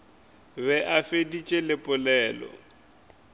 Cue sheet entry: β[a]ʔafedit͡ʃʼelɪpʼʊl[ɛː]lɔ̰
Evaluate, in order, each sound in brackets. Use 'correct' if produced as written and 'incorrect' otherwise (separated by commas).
incorrect, correct